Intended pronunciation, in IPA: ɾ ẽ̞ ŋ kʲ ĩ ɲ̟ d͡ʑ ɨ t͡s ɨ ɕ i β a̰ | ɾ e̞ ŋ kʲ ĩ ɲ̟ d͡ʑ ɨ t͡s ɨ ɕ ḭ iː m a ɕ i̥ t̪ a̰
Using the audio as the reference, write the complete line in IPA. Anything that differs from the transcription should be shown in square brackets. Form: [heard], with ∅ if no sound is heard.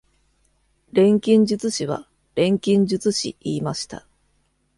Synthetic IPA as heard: ɾ ẽ̞ ŋ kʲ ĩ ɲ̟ d͡ʑ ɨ t͡s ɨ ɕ i β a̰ | ɾ [ẽ̞] ŋ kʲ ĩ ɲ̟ d͡ʑ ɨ t͡s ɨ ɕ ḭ iː m a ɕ i̥ t̪ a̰